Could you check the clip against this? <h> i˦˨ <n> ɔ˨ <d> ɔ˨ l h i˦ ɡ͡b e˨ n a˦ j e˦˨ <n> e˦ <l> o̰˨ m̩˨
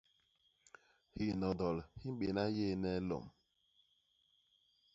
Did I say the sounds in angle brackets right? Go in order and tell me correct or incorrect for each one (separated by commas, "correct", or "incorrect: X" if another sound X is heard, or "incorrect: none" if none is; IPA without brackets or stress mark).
correct, correct, correct, correct, correct